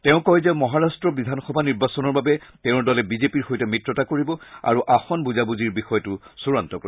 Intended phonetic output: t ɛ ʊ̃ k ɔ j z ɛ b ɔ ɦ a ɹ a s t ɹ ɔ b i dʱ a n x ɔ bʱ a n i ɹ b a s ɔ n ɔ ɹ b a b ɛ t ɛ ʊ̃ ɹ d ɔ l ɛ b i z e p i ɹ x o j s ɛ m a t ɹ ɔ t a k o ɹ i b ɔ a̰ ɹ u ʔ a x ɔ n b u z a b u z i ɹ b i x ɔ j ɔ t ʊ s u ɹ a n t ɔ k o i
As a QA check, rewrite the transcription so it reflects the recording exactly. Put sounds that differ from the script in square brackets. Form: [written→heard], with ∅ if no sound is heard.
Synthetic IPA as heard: t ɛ ʊ̃ k ɔ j z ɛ [b→m] ɔ ɦ a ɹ a s t ɹ ɔ b i dʱ a n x ɔ bʱ a n i ɹ b a s ɔ n ɔ ɹ b a b ɛ t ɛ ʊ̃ ɹ d ɔ l ɛ b i z e p i ɹ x o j [s→t] ɛ m [a→i] t ɹ ɔ t a k o ɹ i b ɔ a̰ ɹ u ʔ a x ɔ n b u z a b u z i ɹ b i x ɔ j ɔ t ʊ s u ɹ a n t ɔ k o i

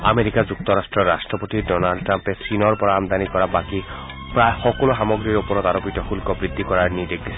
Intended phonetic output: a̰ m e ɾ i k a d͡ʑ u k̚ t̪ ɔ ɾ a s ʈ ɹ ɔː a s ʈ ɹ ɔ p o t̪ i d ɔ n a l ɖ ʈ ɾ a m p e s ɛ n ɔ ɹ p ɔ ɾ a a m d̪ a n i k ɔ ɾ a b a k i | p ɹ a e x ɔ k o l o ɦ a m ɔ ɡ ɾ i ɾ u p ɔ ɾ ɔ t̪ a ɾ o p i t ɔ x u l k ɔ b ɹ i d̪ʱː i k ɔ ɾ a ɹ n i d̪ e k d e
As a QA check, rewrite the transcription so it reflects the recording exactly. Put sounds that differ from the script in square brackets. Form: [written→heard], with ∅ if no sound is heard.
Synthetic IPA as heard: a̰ m e ɾ i k a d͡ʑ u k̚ t̪ ɔ ɾ a s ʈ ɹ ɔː a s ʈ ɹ ɔ p o t̪ i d ɔ n a l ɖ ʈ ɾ a m p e s [ɛ→i] n ɔ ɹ p ɔ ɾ a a m d̪ a n i k ɔ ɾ a b a k i | p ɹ a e x ɔ k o l o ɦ a m ɔ ɡ ɾ i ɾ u p ɔ ɾ ɔ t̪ a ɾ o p i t ɔ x u l k ɔ b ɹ i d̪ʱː i k ɔ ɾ a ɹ n i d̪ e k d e

